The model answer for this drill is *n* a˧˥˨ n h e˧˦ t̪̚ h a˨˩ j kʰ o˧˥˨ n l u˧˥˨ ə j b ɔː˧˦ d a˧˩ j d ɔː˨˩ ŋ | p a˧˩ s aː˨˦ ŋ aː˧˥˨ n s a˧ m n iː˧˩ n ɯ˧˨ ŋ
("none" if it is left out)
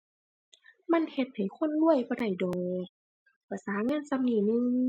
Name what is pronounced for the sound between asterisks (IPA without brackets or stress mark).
m